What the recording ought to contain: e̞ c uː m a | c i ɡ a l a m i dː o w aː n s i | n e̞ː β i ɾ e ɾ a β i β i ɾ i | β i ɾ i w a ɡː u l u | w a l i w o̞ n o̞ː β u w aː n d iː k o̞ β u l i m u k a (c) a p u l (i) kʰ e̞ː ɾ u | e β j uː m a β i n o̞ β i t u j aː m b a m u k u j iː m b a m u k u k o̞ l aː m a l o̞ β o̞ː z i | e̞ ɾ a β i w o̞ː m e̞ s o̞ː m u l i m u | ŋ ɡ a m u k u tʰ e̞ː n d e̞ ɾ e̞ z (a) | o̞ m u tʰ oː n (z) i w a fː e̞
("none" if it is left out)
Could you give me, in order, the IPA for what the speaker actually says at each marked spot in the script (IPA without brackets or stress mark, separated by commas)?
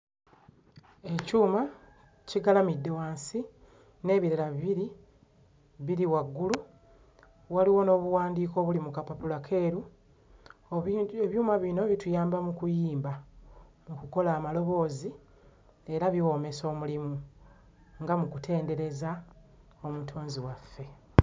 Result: p, a, a, z